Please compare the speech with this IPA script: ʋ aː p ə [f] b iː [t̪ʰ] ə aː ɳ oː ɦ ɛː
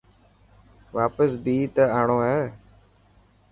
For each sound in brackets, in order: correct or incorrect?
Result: incorrect: s, incorrect: t̪

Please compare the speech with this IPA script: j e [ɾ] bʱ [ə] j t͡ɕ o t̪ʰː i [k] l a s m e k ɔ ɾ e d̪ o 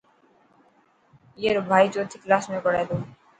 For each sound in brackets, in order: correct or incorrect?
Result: correct, incorrect: a, correct

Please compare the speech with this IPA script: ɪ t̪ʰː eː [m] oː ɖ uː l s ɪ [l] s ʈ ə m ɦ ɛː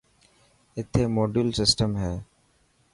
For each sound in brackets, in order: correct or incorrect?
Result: correct, incorrect: none

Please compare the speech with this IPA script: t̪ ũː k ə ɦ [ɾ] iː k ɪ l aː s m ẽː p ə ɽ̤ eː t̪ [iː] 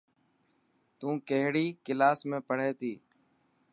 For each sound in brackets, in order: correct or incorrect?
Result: incorrect: ɽ, correct

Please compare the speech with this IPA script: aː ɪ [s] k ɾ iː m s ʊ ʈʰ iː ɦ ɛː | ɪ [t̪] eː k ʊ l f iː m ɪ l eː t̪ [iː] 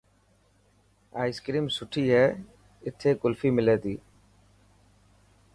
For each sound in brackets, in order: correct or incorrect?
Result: correct, incorrect: t̪ʰ, correct

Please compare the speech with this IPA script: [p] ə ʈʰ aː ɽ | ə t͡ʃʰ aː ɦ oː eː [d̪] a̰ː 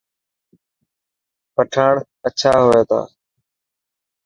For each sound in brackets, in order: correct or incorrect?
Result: correct, incorrect: t̪

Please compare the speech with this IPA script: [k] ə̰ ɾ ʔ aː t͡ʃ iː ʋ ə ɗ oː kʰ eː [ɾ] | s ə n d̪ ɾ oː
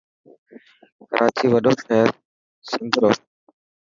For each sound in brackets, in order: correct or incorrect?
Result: correct, correct

